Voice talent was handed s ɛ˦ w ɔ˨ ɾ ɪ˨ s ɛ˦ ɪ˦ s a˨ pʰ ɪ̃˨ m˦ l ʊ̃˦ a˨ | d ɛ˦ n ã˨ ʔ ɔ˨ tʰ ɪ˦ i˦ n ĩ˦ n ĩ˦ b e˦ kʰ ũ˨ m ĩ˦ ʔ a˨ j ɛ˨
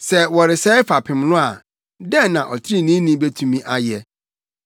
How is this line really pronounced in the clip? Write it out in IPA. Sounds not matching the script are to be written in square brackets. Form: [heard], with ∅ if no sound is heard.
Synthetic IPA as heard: s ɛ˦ w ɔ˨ ɾ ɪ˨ s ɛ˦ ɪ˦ [f] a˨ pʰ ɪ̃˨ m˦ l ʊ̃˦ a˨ | d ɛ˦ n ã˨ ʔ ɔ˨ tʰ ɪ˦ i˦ n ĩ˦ n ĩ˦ b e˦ [tʰ] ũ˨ m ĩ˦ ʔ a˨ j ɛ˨